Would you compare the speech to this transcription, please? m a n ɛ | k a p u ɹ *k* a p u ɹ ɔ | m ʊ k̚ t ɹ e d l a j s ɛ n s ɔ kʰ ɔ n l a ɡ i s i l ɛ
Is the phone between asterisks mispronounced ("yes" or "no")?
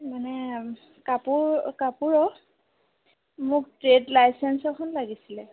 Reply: no